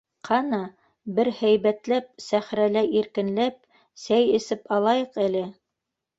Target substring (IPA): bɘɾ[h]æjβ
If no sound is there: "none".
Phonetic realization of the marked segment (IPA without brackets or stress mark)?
h